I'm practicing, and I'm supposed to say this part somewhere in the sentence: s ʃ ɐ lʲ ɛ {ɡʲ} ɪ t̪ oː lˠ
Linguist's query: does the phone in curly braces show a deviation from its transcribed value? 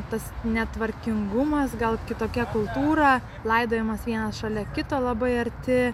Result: yes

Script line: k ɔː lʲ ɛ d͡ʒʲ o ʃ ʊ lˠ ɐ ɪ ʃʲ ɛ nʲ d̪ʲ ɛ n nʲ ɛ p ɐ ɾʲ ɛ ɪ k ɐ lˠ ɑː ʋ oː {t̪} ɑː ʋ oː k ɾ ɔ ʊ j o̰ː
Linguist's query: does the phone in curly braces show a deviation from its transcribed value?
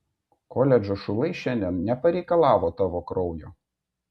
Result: no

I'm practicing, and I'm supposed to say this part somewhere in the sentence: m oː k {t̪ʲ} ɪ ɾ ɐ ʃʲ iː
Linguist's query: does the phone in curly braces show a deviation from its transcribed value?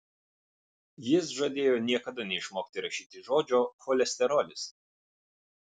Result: no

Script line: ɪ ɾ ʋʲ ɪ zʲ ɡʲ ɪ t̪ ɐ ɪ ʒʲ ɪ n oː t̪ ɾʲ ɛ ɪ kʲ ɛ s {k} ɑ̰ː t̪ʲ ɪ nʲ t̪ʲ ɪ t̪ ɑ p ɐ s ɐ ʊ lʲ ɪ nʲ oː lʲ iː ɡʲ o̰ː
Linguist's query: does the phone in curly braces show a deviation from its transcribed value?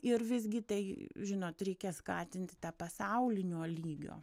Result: no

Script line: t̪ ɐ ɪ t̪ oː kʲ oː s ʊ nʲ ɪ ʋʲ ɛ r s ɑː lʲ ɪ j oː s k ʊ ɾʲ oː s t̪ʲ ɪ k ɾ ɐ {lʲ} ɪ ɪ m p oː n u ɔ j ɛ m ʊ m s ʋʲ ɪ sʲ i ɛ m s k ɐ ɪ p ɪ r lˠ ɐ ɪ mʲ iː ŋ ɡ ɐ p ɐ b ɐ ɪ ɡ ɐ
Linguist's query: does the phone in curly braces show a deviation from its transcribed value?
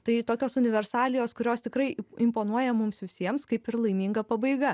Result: yes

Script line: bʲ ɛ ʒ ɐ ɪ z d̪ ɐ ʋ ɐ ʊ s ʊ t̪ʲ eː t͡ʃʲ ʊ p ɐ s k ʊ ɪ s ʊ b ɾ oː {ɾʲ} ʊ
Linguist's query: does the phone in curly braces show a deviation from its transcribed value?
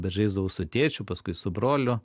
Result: yes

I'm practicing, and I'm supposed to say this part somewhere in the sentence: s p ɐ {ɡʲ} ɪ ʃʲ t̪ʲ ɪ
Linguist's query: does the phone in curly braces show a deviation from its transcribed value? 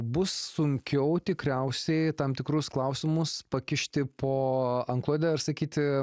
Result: yes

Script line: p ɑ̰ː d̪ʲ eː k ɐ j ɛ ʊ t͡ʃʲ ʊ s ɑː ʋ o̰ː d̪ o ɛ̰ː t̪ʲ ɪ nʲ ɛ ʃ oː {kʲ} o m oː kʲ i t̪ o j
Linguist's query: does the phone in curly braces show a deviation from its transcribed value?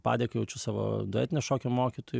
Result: no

